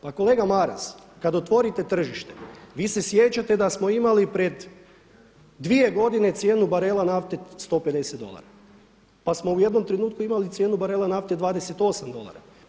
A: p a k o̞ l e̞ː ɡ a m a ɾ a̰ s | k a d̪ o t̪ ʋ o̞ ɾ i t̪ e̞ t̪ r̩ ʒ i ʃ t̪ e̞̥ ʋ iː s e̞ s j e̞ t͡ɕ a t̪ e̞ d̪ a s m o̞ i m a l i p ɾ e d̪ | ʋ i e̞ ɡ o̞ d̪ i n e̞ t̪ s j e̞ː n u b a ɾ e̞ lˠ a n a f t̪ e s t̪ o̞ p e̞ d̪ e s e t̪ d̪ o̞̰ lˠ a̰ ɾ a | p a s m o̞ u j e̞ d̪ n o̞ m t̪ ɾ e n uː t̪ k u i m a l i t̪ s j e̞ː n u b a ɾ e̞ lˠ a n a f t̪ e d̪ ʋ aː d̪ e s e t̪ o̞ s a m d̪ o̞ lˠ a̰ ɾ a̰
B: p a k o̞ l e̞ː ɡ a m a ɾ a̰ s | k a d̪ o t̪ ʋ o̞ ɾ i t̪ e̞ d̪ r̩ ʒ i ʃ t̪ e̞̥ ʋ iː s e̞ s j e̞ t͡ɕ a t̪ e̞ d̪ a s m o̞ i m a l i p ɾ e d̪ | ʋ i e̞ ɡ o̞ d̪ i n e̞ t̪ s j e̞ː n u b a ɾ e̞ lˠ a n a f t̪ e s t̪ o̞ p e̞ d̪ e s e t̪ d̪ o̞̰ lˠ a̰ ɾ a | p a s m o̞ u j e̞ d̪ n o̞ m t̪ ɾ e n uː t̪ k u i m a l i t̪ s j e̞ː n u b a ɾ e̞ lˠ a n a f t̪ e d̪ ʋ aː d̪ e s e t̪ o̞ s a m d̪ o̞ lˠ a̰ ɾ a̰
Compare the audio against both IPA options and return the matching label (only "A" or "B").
A